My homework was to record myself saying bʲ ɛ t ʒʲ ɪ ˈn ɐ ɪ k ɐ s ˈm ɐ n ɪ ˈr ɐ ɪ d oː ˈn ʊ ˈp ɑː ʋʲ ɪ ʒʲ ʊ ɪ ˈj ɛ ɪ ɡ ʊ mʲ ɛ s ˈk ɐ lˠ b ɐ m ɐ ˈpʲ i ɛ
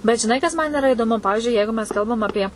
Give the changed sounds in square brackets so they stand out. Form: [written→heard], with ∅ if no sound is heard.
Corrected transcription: bʲ ɛ t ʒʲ ɪ ˈn ɐ ɪ k ɐ s ˈm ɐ n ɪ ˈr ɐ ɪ d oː [ˈn→ˈm] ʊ ˈp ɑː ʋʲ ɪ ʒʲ ʊ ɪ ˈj ɛ ɪ ɡ ʊ mʲ ɛ s ˈk ɐ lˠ b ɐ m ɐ ˈpʲ i ɛ